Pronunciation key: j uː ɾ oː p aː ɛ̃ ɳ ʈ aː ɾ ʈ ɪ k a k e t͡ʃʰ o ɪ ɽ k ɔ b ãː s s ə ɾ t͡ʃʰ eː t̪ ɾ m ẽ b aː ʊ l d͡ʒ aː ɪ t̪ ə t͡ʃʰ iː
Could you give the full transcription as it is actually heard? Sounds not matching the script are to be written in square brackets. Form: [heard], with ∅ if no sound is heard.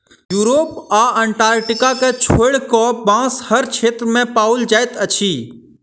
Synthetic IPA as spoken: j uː ɾ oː p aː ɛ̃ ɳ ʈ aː ɾ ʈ ɪ k a k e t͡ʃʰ o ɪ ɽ k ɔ b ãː s [h] ə ɾ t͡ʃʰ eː t̪ ɾ m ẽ [p] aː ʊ l d͡ʒ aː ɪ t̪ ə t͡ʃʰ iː